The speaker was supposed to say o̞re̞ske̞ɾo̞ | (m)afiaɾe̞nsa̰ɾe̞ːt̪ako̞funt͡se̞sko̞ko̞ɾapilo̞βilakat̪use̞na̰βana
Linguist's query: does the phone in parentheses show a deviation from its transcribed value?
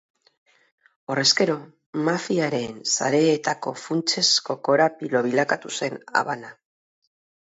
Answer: no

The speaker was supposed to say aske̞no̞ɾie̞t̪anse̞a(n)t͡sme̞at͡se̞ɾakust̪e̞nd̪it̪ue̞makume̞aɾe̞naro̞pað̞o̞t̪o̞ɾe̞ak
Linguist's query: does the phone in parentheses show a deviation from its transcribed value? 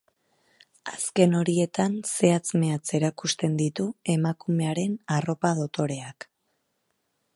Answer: yes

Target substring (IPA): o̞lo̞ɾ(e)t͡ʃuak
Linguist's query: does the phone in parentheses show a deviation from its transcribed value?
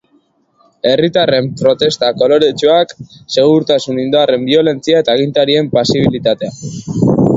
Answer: no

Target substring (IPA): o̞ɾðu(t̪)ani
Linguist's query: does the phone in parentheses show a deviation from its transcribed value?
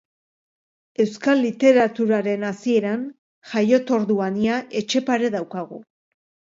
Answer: yes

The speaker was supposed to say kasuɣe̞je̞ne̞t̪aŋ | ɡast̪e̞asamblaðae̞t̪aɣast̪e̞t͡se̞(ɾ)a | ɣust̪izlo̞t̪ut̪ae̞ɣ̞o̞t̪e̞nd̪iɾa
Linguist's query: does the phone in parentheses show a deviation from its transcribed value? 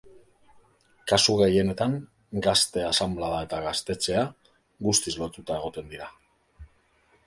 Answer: yes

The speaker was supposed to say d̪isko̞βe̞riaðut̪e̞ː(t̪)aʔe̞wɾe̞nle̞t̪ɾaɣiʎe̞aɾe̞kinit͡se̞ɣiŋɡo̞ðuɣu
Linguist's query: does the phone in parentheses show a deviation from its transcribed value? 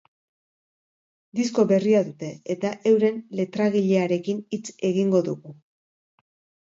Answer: no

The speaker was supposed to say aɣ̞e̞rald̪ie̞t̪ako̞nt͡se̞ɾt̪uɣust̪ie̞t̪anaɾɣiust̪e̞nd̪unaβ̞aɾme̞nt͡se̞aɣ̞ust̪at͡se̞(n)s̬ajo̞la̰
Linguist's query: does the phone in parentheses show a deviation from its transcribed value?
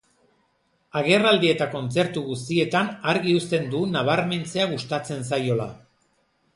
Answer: no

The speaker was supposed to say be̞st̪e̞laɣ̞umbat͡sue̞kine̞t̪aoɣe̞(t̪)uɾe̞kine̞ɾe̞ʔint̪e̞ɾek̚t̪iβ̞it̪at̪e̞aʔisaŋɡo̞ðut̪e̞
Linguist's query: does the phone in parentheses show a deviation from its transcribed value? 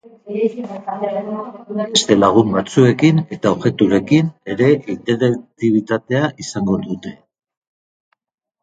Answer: no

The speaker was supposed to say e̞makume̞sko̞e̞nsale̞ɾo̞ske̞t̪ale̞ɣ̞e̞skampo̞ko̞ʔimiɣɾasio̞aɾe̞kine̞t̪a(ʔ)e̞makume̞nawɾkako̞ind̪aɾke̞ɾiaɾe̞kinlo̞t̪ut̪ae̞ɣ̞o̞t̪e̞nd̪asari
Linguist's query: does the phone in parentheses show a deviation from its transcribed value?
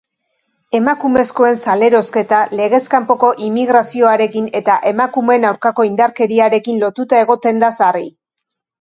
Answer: no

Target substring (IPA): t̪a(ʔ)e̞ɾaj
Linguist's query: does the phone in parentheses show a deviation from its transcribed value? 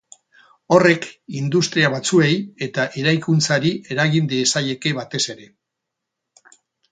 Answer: no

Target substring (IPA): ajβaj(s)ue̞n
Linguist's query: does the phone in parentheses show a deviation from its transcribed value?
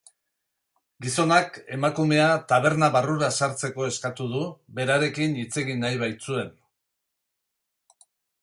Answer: yes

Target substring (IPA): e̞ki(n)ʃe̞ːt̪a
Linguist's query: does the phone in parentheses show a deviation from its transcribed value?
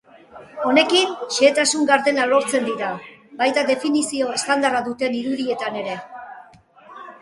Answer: no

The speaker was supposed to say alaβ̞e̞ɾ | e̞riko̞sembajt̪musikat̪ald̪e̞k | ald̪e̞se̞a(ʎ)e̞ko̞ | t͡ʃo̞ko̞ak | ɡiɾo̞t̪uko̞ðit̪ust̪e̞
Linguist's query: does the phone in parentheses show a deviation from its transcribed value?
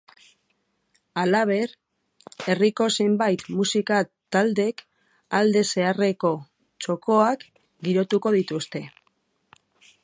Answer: yes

